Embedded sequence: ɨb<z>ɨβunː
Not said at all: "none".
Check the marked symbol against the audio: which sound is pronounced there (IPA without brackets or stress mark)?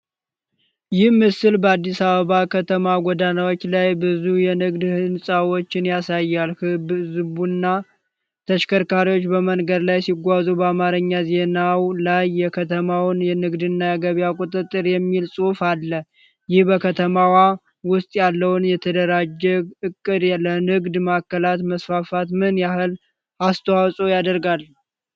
z